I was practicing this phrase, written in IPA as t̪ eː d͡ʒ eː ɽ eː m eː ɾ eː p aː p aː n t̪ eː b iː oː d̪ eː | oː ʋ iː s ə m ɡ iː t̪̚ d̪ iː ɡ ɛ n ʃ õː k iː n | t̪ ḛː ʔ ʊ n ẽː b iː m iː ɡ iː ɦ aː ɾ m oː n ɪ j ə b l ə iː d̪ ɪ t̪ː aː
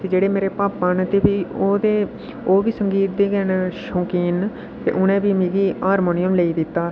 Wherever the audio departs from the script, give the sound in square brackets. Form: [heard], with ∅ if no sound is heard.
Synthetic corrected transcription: t̪ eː d͡ʒ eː ɽ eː m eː ɾ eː p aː p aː n t̪ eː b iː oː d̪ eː | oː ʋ iː s ə [ŋ] ɡ iː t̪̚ d̪ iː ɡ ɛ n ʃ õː k iː n | t̪ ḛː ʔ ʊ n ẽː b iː m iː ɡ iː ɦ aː ɾ m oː n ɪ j ə [m] l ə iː d̪ ɪ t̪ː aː

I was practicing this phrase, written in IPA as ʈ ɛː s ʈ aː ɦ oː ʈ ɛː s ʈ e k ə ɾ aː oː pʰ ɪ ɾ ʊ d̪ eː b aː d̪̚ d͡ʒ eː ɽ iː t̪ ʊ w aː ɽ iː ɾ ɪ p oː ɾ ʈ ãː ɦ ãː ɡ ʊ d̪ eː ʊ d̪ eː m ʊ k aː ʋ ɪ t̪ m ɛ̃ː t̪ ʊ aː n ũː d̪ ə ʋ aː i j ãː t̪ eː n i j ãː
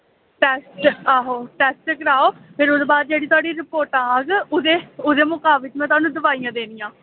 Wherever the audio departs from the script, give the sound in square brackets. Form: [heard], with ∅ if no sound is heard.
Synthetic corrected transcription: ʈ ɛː s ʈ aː ɦ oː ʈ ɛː s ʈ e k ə ɾ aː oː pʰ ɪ ɾ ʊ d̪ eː b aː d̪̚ d͡ʒ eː ɽ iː t̪ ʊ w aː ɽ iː ɾ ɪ p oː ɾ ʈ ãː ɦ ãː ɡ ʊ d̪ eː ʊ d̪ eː m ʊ k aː ʋ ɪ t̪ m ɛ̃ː t̪ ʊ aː n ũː d̪ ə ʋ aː i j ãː [d̪] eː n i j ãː

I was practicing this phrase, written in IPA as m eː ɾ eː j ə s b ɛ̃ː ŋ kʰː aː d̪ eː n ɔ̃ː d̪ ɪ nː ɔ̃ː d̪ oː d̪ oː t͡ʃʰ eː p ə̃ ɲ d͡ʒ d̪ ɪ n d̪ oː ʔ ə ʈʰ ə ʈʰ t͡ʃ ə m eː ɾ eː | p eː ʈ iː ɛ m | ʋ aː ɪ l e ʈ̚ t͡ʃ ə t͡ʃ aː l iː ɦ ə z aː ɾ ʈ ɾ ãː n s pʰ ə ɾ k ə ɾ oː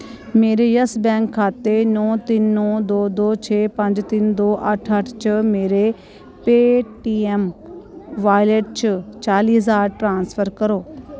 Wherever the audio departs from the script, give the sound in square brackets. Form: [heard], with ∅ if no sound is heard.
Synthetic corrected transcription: m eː ɾ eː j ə s b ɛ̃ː ŋ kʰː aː [t̪] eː n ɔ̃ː [t̪] ɪ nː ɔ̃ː d̪ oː d̪ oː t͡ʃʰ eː p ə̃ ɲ d͡ʒ [t̪] ɪ n d̪ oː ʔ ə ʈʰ ə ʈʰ t͡ʃ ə m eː ɾ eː | p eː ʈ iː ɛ m | ʋ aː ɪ l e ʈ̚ t͡ʃ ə t͡ʃ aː l iː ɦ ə z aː ɾ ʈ ɾ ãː n s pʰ ə ɾ k ə ɾ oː

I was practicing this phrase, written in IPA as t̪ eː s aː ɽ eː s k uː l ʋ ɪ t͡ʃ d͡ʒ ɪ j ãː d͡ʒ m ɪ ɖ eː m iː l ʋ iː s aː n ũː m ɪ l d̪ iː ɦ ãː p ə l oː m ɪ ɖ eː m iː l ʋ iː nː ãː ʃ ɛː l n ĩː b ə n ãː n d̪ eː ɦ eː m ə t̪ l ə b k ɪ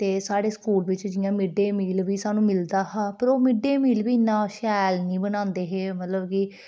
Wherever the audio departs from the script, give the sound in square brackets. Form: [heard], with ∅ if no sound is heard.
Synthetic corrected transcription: t̪ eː s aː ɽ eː s k uː l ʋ ɪ t͡ʃ d͡ʒ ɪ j ãː [∅] m ɪ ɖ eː m iː l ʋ iː s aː n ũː m ɪ l d̪ [aː] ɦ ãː p ə [ɾ] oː m ɪ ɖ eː m iː l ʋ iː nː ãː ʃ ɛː l n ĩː b ə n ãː n d̪ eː ɦ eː m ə t̪ l ə b k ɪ

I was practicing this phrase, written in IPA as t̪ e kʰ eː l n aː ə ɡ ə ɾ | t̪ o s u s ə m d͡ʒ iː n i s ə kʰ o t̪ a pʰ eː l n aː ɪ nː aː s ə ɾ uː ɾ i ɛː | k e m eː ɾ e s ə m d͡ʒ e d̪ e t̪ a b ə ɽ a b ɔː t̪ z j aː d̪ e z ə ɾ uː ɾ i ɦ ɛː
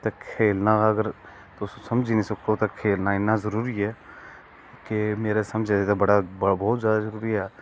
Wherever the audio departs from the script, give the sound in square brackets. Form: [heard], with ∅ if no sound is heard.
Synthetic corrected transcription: t̪ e kʰ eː l n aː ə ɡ ə ɾ | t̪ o s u s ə m d͡ʒ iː n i s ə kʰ o t̪ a [kʰ] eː l n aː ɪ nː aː [z] ə ɾ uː ɾ i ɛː | k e m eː ɾ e s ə m d͡ʒ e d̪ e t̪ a b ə ɽ a b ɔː t̪ z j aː d̪ [a] z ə ɾ uː ɾ i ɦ ɛː

